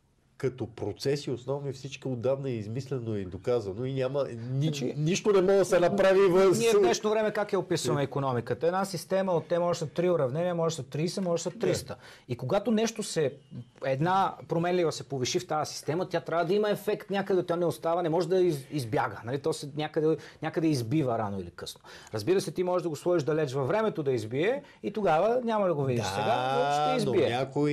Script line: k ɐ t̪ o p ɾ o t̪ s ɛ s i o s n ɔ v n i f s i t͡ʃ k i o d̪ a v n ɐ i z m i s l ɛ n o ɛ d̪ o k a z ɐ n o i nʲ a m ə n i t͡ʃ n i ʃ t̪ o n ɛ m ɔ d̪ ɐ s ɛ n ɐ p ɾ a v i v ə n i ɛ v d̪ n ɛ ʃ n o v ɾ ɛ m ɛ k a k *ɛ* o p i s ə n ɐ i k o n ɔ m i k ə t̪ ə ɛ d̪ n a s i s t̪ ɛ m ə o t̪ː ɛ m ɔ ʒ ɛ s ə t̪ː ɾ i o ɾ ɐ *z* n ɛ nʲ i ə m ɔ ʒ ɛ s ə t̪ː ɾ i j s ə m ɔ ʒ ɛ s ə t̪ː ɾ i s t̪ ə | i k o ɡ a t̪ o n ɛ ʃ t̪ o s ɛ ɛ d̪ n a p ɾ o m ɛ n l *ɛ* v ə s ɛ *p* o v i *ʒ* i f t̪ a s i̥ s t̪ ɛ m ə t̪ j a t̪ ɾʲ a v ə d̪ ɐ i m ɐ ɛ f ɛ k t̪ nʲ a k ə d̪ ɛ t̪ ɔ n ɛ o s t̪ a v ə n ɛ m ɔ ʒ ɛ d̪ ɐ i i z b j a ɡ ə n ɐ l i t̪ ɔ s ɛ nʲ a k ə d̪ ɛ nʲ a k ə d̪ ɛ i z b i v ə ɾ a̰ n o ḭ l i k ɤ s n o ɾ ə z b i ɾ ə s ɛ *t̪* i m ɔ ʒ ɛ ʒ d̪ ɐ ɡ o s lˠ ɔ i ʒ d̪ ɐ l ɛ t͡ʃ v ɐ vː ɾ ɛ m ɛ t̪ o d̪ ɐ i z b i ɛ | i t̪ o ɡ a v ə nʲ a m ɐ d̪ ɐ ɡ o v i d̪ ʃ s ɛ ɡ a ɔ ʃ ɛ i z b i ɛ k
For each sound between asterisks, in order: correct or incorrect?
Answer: correct, incorrect: v, incorrect: i, correct, incorrect: ʃ, correct

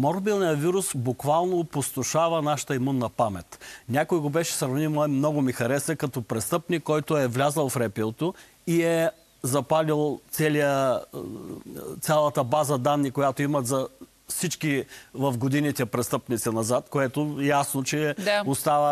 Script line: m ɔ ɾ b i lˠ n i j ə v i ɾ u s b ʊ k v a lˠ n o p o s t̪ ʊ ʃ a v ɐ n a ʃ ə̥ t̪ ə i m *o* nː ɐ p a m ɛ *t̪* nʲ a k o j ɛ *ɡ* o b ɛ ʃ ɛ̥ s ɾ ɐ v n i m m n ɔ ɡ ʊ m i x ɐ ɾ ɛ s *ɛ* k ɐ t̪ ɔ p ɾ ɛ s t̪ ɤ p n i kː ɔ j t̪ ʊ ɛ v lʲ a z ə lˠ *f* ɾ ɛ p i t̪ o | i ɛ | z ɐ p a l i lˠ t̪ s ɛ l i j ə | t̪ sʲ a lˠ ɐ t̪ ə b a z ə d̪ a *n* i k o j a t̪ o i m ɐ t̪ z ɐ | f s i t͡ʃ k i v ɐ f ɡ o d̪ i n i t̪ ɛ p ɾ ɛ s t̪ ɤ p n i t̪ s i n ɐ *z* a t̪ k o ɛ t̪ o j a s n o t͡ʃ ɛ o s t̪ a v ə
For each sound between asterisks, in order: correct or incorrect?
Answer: incorrect: u, correct, correct, correct, correct, incorrect: nː, correct

